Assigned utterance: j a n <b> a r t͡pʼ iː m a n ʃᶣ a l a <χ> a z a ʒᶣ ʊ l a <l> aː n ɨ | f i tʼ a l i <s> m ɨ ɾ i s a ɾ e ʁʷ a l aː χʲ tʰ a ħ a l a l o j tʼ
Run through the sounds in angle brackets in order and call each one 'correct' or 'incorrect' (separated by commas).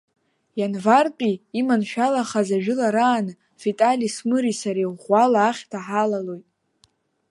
incorrect, correct, incorrect, correct